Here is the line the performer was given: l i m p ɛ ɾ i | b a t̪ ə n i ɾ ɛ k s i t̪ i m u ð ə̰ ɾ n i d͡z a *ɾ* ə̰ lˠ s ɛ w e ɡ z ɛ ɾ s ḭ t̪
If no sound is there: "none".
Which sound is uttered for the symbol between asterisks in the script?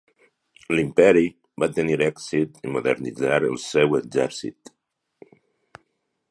ɾ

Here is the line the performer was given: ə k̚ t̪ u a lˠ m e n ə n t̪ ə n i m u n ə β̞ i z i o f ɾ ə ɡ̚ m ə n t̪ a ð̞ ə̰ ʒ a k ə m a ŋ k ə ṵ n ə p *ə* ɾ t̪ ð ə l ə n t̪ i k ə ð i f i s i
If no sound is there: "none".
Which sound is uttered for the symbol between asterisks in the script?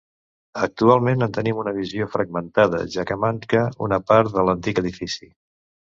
a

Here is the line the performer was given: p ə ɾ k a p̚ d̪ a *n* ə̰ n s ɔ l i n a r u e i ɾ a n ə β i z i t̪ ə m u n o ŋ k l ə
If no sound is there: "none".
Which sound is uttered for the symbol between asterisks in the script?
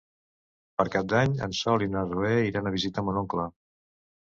ɲ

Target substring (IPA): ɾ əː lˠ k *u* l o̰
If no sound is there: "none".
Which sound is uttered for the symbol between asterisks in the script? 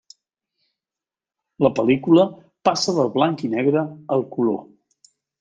u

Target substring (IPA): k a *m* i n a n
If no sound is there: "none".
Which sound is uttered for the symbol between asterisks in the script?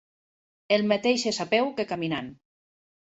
m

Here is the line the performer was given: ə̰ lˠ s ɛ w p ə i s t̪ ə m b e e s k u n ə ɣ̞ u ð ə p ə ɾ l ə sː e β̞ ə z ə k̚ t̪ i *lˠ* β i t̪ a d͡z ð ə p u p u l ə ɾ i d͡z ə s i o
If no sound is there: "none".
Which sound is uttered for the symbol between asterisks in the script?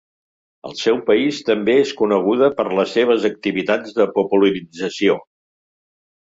none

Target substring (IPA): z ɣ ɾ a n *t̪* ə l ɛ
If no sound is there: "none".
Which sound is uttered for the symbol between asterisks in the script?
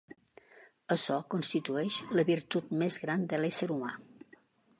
d̪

